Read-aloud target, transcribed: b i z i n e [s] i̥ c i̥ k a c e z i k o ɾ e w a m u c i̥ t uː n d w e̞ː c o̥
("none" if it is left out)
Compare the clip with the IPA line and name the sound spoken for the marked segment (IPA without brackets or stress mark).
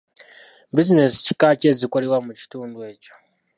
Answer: s